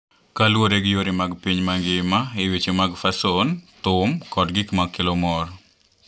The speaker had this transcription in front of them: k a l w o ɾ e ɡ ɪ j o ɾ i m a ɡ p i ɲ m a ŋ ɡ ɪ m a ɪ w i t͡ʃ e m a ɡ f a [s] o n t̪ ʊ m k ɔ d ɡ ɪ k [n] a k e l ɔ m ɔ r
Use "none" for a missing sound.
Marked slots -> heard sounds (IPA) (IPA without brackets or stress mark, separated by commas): s, m